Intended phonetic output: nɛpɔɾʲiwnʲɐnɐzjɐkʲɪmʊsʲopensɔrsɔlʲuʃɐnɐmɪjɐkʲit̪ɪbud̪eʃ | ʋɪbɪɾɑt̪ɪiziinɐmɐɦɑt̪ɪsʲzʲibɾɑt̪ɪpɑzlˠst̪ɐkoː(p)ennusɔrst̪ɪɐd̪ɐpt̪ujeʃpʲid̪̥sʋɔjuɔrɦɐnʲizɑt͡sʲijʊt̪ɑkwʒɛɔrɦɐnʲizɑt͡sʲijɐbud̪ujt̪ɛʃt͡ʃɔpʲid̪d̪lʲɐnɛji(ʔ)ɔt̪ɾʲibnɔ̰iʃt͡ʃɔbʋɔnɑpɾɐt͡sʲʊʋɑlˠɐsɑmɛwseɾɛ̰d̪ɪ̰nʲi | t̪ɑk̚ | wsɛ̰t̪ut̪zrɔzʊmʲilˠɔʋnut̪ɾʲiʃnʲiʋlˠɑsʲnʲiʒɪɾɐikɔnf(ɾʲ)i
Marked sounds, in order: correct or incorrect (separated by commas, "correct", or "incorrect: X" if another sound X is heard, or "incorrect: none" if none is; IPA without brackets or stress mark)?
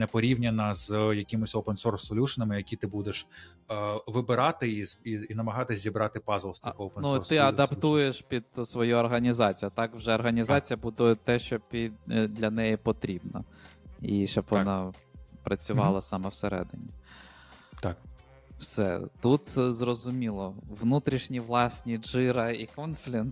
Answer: correct, incorrect: p, incorrect: lʲ